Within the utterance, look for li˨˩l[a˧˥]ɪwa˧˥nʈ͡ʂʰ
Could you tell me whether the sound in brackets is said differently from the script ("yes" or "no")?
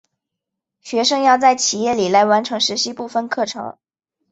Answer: no